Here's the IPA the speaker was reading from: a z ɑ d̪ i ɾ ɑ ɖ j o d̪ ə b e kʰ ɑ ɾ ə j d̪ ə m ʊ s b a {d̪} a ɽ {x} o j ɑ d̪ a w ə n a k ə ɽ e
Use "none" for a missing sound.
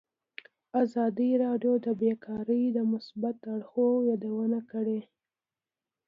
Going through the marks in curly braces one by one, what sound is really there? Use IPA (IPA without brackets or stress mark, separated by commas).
t̪, x